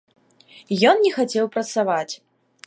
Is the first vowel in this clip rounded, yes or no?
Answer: yes